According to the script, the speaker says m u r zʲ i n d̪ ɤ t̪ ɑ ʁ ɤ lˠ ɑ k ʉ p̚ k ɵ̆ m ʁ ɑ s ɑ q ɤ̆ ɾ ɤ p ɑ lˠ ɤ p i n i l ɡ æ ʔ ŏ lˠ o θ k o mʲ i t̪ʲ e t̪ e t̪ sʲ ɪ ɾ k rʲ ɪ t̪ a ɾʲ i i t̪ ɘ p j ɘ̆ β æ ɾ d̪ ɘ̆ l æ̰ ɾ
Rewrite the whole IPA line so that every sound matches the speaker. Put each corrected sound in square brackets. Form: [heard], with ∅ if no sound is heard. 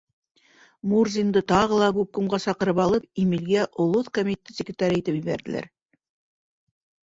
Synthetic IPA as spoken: m u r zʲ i n d̪ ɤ t̪ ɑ ʁ ɤ lˠ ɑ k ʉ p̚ k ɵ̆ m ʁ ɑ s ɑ q ɤ̆ ɾ ɤ p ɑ lˠ ɤ p i [m] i l ɡ æ ʔ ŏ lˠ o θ k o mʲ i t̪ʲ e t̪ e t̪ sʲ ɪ [∅] k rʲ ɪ t̪ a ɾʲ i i t̪ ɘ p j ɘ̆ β æ ɾ d̪ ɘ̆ l æ̰ ɾ

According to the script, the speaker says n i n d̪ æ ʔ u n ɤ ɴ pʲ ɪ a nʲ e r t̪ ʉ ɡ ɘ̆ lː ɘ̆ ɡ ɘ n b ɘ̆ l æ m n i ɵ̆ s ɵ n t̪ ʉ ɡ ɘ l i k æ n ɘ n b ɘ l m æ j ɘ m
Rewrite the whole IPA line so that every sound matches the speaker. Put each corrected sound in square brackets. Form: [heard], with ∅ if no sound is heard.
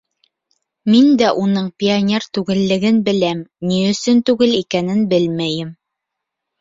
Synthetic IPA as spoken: [m] i n d̪ æ ʔ u n ɤ ɴ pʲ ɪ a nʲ e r t̪ ʉ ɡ ɘ̆ lː ɘ̆ ɡ ɘ n b ɘ̆ l æ m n i ɵ̆ s ɵ n t̪ ʉ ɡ ɘ l i k æ n ɘ n b ɘ l m æ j ɘ m

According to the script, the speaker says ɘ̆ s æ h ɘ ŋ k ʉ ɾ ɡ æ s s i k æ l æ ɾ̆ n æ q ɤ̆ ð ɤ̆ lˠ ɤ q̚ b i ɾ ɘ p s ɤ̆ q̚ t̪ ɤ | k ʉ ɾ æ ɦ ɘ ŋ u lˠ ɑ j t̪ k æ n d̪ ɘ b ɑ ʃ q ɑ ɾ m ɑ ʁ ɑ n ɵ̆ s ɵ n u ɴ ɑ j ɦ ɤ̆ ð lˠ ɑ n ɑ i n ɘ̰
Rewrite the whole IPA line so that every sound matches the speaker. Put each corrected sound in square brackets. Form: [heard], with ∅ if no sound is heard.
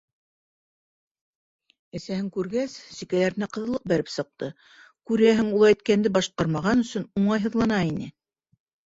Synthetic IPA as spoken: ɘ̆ s æ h ɘ ŋ k ʉ ɾ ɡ æ s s i k æ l æ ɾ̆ n æ q ɤ̆ ð ɤ̆ lˠ ɤ q̚ b [æ] ɾ ɘ p s ɤ̆ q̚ t̪ ɤ | k ʉ ɾ æ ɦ ɘ ŋ u lˠ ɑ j t̪ k æ n d̪ ɘ b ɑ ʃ q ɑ ɾ m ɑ ʁ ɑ n ɵ̆ s ɵ n u ɴ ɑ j ɦ ɤ̆ ð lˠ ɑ n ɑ i n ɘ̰

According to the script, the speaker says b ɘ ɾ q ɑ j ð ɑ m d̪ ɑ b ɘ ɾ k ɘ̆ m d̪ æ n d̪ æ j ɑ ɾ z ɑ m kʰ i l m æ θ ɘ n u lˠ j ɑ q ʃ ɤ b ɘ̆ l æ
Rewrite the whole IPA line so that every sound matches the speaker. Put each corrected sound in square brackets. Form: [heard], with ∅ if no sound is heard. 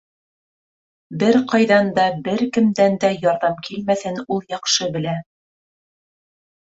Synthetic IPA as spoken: b ɘ ɾ q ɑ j ð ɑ [n] d̪ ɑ b ɘ ɾ k ɘ̆ m d̪ æ n d̪ æ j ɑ ɾ [ð] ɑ m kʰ i l m æ θ ɘ n u lˠ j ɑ q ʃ ɤ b ɘ̆ l æ

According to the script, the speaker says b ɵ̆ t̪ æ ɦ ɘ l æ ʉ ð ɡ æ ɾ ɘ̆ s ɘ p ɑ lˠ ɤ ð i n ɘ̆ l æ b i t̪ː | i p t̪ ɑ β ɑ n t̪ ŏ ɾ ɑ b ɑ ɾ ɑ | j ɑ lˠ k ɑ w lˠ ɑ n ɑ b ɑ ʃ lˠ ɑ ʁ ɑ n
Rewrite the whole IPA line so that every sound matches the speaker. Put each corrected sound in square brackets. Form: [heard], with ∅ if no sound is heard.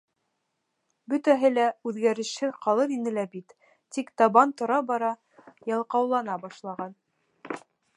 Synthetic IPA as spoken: b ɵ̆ t̪ æ ɦ ɘ l æ ʉ ð ɡ æ ɾ ɘ̆ [ʃ] ɘ [q] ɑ lˠ ɤ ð i n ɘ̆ l æ b i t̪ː | i [k] t̪ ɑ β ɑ n t̪ ŏ ɾ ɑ b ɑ ɾ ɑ | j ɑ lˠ [q] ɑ w lˠ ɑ n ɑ b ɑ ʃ lˠ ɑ ʁ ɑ n

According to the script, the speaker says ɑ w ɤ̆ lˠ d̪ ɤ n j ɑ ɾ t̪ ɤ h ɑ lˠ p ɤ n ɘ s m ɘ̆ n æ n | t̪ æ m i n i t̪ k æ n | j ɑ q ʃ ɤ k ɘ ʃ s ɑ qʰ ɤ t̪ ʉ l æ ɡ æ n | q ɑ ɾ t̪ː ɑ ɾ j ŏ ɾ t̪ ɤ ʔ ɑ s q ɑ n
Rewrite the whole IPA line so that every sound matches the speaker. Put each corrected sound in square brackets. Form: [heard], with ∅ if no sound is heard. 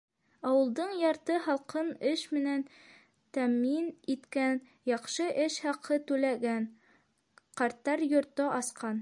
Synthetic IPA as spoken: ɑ w ɤ̆ lˠ d̪ ɤ [ɴ] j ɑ ɾ t̪ ɤ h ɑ lˠ [q] ɤ n ɘ [ʃ] m ɘ̆ n æ n | t̪ æ m i n i t̪ k æ n | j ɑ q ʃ ɤ [ʔ] ɘ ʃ [h] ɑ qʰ ɤ t̪ ʉ l æ ɡ æ n | q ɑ ɾ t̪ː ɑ ɾ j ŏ ɾ t̪ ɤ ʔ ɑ s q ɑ n

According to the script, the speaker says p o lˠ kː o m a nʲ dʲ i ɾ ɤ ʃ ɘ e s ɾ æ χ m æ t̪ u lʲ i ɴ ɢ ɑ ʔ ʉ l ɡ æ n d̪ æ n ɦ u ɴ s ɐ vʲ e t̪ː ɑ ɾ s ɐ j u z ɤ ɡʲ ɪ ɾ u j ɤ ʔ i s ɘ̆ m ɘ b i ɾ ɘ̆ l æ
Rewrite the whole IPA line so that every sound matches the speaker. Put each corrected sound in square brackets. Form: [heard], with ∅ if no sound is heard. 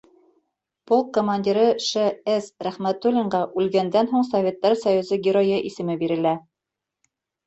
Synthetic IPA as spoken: p o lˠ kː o m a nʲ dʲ i ɾ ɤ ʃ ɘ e s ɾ æ χ m æ t̪ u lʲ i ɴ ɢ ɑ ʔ ʉ l ɡ æ n d̪ æ n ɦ u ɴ s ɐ vʲ e t̪ː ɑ ɾ s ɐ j u z ɤ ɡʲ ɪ ɾ [o] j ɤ ʔ i s ɘ̆ m ɘ b i ɾ ɘ̆ l æ

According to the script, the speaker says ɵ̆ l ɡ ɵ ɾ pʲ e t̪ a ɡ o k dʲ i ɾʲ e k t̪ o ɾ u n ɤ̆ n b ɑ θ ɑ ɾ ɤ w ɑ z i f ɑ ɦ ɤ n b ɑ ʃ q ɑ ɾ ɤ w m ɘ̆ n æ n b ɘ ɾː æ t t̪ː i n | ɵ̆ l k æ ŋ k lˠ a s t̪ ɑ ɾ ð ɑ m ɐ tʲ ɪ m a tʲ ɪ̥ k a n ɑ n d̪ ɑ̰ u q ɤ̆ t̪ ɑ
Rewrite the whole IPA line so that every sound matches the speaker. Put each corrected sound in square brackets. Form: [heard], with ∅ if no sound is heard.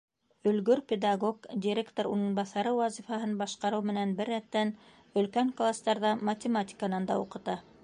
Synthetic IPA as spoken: ɵ̆ l ɡ ɵ ɾ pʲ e [d̪] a ɡ o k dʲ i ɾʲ e k t̪ o ɾ u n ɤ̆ n b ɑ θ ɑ ɾ ɤ w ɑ z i f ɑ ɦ ɤ n b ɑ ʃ q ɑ ɾ ɤ w m ɘ̆ n æ n b ɘ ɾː æ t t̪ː [æ] n | ɵ̆ l k æ ŋ k lˠ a s t̪ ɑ ɾ ð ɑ m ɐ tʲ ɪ m a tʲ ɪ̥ k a n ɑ n d̪ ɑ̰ u q ɤ̆ t̪ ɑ

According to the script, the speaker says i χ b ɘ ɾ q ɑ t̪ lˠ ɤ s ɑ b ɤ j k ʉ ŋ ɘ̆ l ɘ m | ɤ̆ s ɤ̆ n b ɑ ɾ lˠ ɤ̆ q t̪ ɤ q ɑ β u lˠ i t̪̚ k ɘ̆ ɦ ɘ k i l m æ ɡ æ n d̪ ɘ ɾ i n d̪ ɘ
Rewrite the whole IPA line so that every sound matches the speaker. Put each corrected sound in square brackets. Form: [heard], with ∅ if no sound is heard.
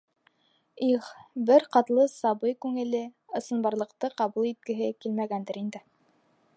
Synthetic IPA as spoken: i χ b ɘ ɾ q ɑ t̪ lˠ ɤ s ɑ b ɤ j k ʉ ŋ ɘ̆ l ɘ [∅] | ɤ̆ s ɤ̆ n b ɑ ɾ lˠ ɤ̆ q t̪ ɤ q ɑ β u lˠ i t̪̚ k ɘ̆ ɦ ɘ k i l m æ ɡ æ n d̪ ɘ ɾ i n d̪ ɘ

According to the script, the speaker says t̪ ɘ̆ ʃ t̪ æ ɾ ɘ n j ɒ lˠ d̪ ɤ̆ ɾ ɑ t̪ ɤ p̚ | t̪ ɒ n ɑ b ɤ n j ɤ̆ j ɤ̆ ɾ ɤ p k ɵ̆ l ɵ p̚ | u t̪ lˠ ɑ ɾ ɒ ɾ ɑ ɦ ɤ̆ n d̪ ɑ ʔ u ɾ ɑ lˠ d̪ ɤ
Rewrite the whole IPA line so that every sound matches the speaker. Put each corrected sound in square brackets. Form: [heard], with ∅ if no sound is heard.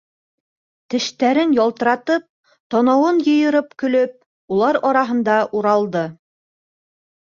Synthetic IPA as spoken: t̪ ɘ̆ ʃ t̪ æ ɾ ɘ n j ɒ lˠ [t̪] ɤ̆ ɾ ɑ t̪ ɤ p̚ | t̪ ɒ n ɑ [w] ɤ n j ɤ̆ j ɤ̆ ɾ ɤ p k ɵ̆ l ɵ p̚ | u [∅] lˠ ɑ ɾ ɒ ɾ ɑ ɦ ɤ̆ n d̪ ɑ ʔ u ɾ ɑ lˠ d̪ ɤ

